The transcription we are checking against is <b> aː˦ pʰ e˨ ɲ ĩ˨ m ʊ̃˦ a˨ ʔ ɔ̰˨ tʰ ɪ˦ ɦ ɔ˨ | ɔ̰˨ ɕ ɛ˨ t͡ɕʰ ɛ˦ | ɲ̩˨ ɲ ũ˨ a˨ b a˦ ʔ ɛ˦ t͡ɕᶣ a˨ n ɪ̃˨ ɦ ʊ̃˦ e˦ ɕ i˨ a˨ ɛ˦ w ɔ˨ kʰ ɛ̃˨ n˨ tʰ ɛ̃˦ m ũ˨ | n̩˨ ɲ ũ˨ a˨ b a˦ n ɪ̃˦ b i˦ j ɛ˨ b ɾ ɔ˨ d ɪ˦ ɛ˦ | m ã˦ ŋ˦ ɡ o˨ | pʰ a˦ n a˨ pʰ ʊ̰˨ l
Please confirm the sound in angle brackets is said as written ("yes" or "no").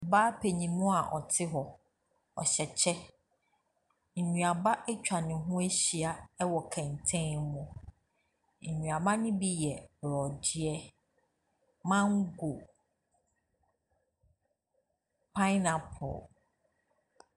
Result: yes